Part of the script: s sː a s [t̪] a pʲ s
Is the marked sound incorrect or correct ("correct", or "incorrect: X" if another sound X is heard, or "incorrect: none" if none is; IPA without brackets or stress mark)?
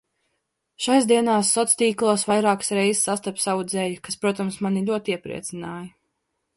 correct